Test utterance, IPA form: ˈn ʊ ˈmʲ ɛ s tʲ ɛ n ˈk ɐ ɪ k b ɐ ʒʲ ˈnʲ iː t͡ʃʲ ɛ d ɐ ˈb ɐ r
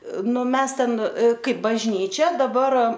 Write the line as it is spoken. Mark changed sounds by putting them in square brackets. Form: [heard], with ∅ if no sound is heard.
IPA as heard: ˈn ʊ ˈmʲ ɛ s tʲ ɛ n ˈk ɐ ɪ [p] b ɐ ʒʲ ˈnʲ iː t͡ʃʲ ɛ d ɐ ˈb ɐ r